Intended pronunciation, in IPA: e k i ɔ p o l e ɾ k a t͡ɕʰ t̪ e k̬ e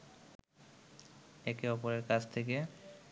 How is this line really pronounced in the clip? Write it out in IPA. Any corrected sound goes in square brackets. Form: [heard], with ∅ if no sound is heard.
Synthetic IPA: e k [e] ɔ p o [ɾ] e ɾ k a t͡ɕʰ [t̪ʰ] e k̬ e